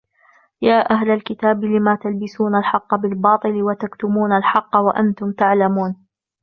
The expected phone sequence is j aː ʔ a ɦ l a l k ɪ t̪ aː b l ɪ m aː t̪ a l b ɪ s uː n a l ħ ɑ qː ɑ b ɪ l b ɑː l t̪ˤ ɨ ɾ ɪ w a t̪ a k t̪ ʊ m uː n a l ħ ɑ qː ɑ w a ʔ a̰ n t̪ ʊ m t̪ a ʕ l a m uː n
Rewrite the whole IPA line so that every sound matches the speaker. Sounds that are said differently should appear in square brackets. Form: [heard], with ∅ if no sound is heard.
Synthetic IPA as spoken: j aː ʔ a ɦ l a l k ɪ t̪ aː b l ɪ m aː t̪ a l b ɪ s uː n a l ħ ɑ qː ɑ b ɪ l b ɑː [∅] t̪ˤ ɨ [l] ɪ w a t̪ a k t̪ ʊ m uː n a l ħ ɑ qː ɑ w a ʔ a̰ n t̪ ʊ m t̪ a ʕ l a m uː n